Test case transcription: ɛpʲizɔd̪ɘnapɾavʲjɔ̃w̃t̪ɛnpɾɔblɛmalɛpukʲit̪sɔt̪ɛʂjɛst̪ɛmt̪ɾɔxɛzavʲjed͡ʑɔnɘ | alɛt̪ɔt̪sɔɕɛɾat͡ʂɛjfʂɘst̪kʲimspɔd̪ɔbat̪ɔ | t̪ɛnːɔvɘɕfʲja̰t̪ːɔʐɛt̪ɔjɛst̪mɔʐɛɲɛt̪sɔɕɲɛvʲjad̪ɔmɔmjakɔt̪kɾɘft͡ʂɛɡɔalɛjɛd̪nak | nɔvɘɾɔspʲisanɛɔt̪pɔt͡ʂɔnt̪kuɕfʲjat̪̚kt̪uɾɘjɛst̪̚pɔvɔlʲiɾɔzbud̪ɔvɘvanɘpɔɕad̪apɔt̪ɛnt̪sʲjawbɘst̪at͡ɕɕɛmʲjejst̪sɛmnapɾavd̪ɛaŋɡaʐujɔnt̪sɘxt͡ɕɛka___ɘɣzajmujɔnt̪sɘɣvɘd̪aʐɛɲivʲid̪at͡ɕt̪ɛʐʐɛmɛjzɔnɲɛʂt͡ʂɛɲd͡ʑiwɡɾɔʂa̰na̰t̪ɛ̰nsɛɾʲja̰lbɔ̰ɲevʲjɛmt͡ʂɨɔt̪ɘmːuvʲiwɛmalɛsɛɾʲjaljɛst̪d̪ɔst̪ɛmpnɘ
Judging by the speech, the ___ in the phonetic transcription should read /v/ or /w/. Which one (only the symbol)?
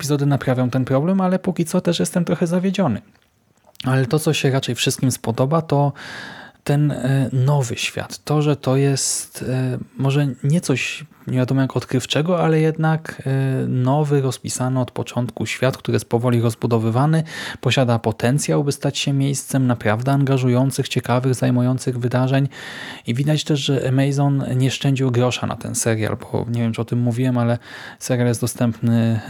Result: v